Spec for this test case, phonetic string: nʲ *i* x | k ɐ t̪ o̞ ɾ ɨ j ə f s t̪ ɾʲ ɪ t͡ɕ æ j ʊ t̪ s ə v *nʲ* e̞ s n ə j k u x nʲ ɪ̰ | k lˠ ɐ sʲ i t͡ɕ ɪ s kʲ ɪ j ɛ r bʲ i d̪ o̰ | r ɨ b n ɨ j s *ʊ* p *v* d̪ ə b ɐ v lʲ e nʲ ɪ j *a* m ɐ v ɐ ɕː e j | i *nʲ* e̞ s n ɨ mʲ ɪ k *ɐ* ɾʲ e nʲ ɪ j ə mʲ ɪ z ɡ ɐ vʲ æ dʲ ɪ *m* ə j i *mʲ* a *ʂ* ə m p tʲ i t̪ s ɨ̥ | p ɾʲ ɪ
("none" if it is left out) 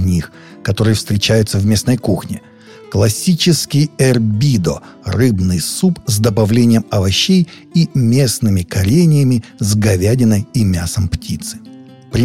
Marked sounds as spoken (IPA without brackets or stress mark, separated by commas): i, mʲ, u, z, ə, mʲ, ɐ, n, mʲ, s